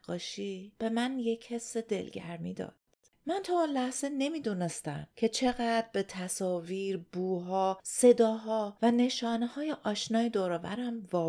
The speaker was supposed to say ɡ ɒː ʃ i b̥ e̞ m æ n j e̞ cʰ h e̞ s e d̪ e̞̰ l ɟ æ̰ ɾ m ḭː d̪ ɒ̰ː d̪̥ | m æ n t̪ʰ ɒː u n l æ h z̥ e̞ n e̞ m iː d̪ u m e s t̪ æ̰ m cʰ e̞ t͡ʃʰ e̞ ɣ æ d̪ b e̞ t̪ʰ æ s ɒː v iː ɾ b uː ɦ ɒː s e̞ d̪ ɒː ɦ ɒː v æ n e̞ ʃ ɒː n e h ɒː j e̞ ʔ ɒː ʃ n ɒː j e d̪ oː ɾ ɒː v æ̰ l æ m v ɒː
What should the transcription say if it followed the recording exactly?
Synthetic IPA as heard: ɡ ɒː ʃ i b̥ e̞ m æ n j e̞ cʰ h e̞ s e d̪ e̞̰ l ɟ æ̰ ɾ m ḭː d̪ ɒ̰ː d̪̥ | m æ n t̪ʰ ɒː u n l æ h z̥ e̞ n e̞ m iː d̪ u n e s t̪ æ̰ m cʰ e̞ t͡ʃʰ e̞ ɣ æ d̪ b e̞ t̪ʰ æ s ɒː v iː ɾ b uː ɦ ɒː s e̞ d̪ ɒː ɦ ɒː v æ n e̞ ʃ ɒː n e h ɒː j e̞ ʔ ɒː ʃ n ɒː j e d̪ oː ɾ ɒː v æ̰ ɾ æ m v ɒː